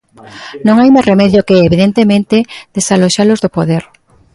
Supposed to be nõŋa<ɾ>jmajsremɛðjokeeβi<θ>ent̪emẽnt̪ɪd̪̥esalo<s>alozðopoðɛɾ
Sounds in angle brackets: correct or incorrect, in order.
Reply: incorrect, incorrect, incorrect

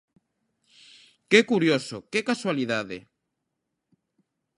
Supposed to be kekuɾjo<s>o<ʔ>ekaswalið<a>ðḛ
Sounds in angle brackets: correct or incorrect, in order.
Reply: correct, incorrect, correct

